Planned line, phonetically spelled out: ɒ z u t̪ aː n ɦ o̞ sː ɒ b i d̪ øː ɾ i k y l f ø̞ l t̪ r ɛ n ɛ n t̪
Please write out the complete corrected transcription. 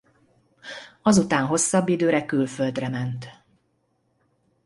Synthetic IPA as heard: ɒ z u t̪ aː n ɦ o̞ sː ɒ bː i d̪ øː ɾ ɛ k y l f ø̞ l d̪ r ɛ m ɛ n t̪